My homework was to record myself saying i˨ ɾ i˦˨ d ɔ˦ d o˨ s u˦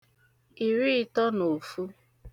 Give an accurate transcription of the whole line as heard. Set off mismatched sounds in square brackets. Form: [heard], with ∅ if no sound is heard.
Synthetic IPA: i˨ ɾ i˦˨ [t] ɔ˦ [n] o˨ [f] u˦

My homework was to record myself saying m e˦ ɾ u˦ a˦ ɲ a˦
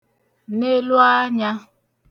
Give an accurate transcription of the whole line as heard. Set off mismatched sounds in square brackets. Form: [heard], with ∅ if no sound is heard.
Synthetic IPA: [n] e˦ [l] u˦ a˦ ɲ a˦

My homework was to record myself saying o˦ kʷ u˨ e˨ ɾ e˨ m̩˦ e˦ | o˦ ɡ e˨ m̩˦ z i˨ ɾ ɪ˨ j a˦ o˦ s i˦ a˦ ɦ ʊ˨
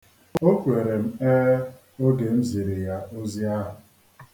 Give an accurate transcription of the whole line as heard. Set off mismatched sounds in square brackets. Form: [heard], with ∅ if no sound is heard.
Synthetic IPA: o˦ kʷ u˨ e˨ ɾ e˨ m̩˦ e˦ | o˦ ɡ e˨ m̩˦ z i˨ ɾ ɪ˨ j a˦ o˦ [z] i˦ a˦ ɦ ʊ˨

